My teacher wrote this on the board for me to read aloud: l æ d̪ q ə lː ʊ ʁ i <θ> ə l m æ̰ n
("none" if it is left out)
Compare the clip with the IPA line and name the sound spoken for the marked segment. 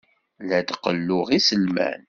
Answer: s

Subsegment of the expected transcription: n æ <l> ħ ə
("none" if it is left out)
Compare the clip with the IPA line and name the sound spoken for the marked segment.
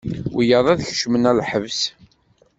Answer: l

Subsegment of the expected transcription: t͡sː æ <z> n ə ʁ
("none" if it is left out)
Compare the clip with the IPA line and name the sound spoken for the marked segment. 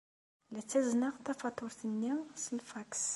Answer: z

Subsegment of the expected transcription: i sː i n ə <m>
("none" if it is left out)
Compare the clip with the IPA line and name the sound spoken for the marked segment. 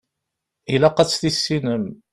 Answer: m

